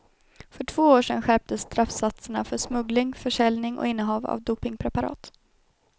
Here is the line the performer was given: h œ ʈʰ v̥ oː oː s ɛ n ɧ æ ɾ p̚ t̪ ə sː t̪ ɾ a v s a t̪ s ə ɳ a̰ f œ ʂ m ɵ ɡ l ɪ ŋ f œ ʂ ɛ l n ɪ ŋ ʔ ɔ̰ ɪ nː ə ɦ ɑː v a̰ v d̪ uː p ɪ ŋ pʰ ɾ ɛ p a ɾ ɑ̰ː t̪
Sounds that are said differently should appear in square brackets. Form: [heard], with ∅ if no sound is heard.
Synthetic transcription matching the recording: [f] œ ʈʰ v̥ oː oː [ʂ] ɛ n ɧ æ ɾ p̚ t̪ ə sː t̪ ɾ a [f] s a t̪ s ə ɳ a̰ f œ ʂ m ɵ ɡ l ɪ ŋ f œ ʂ ɛ l n ɪ ŋ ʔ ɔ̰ ɪ nː ə ɦ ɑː v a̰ v d̪ uː p ɪ ŋ pʰ ɾ ɛ p a ɾ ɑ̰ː t̪